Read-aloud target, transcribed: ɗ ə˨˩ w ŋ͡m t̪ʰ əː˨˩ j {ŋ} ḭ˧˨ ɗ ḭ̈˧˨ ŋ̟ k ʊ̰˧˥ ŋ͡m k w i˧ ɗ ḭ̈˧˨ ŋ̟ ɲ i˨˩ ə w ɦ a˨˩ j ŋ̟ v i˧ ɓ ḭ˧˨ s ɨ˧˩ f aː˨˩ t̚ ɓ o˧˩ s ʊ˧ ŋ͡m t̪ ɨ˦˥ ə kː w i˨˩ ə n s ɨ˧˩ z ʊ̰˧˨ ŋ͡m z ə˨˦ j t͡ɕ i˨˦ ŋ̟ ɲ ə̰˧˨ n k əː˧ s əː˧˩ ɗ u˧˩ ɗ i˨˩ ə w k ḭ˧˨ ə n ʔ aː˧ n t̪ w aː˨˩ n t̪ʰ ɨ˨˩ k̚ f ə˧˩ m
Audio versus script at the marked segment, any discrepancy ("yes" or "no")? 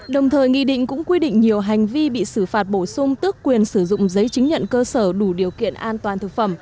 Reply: no